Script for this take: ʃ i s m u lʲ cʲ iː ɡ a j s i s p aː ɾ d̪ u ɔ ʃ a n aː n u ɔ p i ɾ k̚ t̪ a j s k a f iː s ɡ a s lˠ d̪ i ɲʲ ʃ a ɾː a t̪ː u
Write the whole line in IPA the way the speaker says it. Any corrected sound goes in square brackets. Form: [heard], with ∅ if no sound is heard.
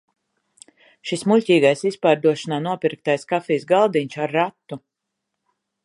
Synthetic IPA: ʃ i s m u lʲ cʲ iː ɡ a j s i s p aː ɾ d̪ u ɔ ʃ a n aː n u ɔ p i ɾ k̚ t̪ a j s k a f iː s ɡ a [∅] lˠ d̪ i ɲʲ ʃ a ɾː a t̪ː u